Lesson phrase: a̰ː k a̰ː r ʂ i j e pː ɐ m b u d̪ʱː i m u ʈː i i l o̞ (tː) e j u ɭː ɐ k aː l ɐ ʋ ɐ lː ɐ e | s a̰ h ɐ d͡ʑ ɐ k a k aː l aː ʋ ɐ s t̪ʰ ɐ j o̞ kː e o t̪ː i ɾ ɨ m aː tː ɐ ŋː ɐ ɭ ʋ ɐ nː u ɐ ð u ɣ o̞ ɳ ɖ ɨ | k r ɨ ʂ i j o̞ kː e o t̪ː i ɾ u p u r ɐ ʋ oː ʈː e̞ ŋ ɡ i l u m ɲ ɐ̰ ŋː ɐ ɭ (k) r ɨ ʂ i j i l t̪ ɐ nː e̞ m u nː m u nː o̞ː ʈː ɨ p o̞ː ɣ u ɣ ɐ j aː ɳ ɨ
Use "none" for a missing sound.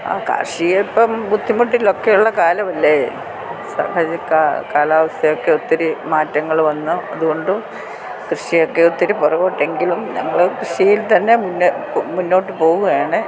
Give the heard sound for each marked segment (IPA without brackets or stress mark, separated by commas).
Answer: kː, k